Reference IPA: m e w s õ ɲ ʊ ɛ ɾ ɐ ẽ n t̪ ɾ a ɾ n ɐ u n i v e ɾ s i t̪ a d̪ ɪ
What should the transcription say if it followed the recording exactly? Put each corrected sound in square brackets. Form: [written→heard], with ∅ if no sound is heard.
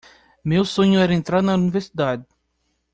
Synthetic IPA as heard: m e w s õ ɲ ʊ ɛ ɾ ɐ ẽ n t̪ ɾ a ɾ n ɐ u n i v e ɾ s i [t̪→d̪] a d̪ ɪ